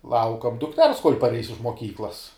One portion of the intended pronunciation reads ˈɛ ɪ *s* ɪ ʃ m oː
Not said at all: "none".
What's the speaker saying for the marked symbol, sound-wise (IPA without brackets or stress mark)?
s